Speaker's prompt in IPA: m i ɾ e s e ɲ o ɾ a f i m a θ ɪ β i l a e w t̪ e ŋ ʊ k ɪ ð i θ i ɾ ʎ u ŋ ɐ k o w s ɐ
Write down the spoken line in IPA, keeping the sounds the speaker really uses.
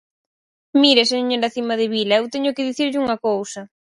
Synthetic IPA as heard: m i ɾ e s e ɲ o ɾ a θ i m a ð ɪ β i l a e w t̪ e ɲ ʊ k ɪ ð i θ i ɾ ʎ u ŋ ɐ k o w s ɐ